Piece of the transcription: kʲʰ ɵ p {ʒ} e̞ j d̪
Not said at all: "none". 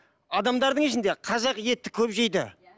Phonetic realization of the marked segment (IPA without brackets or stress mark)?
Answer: ʒ